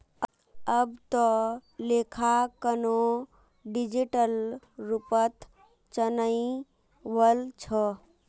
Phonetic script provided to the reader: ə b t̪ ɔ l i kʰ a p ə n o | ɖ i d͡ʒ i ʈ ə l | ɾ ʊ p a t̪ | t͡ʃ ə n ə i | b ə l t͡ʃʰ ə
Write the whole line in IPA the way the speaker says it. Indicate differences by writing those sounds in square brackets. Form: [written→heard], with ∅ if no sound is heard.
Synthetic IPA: ə b t̪ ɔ l [i→e] kʰ a [p→k] ə n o | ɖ i d͡ʒ i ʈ ə l | ɾ [ʊ→u] p [a→ə] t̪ | t͡ʃ ə n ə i | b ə l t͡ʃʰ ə

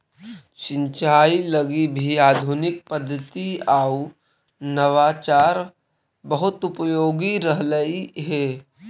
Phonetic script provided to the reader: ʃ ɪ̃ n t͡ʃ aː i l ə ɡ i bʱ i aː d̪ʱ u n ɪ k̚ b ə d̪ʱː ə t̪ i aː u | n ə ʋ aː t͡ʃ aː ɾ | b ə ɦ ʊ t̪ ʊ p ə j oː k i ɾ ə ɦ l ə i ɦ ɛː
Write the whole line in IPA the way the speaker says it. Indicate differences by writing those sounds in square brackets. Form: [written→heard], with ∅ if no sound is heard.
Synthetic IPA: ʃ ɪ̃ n t͡ʃ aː i l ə ɡ i bʱ i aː d̪ʱ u n ɪ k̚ [b→p] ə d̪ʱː ə t̪ i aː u | n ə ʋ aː t͡ʃ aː ɾ | b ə ɦ ʊ t̪ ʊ p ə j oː [k→ɡ] i ɾ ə ɦ l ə i ɦ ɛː

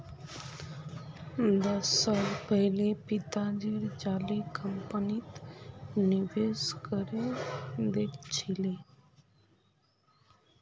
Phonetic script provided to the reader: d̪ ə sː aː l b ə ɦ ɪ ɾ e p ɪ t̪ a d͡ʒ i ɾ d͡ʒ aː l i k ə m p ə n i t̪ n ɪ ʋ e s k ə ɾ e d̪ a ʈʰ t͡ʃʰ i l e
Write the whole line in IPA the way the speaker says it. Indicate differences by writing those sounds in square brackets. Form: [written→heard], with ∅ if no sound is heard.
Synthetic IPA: d̪ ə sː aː l [b→p] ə ɦ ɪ [ɾ→l] e p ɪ t̪ a d͡ʒ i ɾ d͡ʒ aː l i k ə m p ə n i t̪ n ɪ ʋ e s k ə ɾ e d̪ [a→e] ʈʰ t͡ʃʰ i l e

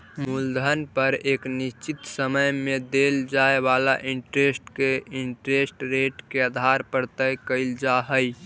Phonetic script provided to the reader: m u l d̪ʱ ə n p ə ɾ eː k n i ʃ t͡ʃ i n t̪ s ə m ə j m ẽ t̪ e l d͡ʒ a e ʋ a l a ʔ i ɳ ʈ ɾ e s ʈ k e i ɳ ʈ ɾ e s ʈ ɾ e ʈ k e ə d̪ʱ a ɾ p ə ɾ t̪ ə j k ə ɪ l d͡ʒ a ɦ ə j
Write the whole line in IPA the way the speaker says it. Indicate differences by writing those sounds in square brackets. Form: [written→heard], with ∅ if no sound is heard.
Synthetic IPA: m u l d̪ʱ ə n p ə ɾ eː k n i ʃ t͡ʃ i [n→∅] t̪ s ə m ə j m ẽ [t̪→d̪] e l d͡ʒ a e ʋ a l a ʔ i ɳ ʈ ɾ e s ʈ k e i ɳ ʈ ɾ e s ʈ ɾ e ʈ k e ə d̪ʱ a ɾ p ə ɾ t̪ ə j k ə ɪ l d͡ʒ a ɦ ə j

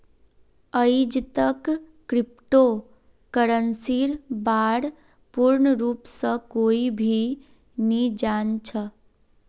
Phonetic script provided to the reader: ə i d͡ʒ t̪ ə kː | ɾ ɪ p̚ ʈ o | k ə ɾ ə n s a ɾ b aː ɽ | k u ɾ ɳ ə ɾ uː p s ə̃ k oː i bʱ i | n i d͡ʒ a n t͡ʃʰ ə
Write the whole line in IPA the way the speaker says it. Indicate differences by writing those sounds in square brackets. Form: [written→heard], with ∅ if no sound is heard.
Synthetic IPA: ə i d͡ʒ t̪ ə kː | ɾ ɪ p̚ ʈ o | k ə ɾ ə n s [a→i] ɾ b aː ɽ | [k→p] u ɾ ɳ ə ɾ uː p s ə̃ k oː i bʱ i | n i d͡ʒ a n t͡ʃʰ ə

